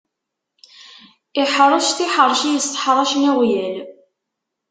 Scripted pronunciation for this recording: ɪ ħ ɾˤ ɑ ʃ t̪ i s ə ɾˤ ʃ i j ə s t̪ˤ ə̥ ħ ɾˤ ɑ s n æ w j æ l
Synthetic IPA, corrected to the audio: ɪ ħ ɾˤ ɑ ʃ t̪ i ħ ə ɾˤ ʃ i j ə s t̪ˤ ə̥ ħ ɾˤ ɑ ʃ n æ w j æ l